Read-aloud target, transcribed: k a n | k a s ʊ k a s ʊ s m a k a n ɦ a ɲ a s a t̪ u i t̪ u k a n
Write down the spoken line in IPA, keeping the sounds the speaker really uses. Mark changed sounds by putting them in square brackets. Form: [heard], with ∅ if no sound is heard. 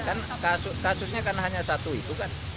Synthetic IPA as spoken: k a n | k a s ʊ k a s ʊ s [ɲ] a k a n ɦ a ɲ a s a t̪ u i t̪ u k a n